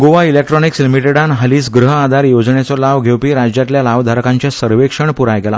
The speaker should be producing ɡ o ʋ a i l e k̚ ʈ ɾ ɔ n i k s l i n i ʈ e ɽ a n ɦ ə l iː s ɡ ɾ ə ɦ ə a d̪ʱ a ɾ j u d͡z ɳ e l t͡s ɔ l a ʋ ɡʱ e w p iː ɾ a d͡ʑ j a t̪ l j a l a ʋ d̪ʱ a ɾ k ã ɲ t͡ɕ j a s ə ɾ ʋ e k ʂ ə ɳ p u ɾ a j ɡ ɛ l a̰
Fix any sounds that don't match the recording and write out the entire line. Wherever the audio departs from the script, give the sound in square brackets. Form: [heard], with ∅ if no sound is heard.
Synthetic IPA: ɡ o ʋ a i l e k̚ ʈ ɾ ɔ n i k s l i [m] i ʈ e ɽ a n ɦ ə l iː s ɡ ɾ ə ɦ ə a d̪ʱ a ɾ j [o] d͡z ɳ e [∅] t͡s ɔ l a ʋ ɡʱ e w p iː ɾ a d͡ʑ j a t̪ l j a l a ʋ d̪ʱ a ɾ k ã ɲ t͡ɕ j a s ə ɾ ʋ e k ʂ ə ɳ p u ɾ a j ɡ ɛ l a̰